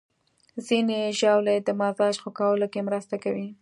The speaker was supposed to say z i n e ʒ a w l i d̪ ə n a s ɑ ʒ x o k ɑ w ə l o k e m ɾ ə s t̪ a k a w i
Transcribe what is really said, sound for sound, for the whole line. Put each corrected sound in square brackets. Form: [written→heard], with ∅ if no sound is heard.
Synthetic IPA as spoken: z i n e ʒ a w l [i→e] d̪ ə [n→m] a [s→z] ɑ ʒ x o k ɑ w ə l o k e m ɾ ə s t̪ a k a w i